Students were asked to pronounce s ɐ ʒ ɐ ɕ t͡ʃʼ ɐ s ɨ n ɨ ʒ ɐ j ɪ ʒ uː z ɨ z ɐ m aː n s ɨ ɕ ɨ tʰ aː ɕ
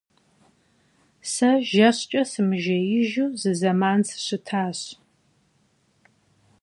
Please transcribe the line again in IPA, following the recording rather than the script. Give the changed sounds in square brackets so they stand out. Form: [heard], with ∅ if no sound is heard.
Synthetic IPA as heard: s ɐ ʒ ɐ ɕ t͡ʃʼ ɐ s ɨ [m] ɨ ʒ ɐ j ɪ ʒ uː z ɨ z ɐ m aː n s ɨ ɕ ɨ tʰ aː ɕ